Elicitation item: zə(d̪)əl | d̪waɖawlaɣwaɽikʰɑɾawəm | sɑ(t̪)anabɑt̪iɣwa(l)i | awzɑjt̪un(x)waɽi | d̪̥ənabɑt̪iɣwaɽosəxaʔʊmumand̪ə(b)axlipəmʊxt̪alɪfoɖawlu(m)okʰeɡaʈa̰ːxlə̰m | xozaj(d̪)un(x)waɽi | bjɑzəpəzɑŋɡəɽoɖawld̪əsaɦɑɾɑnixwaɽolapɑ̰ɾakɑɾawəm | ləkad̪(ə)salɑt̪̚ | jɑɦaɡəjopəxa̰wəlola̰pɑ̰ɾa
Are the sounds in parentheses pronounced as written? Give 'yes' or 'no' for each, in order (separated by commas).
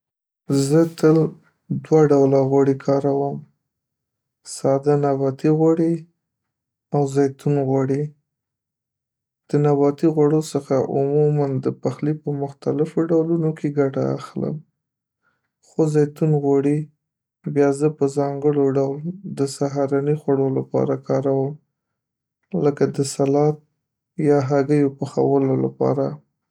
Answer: no, no, no, no, no, no, no, no, yes